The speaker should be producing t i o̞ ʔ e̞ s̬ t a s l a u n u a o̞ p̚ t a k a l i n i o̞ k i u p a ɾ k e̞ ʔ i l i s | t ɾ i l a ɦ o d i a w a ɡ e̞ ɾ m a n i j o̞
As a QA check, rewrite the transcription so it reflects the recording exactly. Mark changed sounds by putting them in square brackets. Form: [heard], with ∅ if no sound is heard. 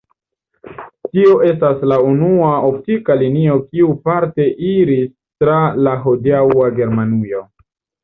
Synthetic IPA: t i o̞ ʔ e̞ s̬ t a s l a u n u a o̞ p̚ t [i] k a l i n i o̞ k i u p a ɾ [t] e̞ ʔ i [ɾ] i s | t ɾ [a] l a ɦ o d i a w a ɡ e̞ ɾ m a n i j o̞